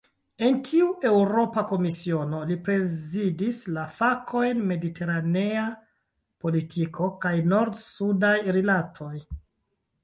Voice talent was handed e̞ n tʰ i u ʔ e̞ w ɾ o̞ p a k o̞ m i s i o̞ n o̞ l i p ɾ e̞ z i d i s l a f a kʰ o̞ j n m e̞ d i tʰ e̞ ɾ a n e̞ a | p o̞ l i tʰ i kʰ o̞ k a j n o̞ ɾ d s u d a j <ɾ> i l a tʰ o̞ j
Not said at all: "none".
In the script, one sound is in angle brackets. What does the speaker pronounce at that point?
ɾ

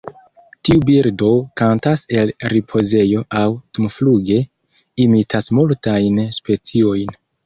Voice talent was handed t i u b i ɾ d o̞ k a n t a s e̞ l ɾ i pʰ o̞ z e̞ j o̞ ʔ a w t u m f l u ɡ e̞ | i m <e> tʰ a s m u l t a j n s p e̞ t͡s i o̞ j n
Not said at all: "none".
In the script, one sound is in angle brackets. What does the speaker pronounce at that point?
i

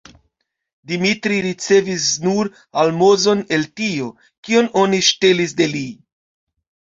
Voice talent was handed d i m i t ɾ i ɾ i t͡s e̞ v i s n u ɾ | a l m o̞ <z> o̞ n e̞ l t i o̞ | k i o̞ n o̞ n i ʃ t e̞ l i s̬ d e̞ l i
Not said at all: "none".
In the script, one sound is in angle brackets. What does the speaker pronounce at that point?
z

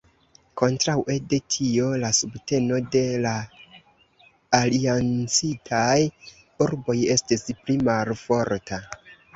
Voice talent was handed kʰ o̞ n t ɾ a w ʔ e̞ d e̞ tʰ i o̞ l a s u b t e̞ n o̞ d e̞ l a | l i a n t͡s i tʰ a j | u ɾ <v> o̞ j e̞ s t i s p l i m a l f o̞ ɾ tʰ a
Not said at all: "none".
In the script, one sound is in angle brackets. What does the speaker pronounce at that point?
b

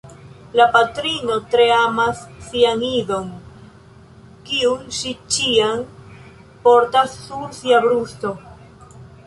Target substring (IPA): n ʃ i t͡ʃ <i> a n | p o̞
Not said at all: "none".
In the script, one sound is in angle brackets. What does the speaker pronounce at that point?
i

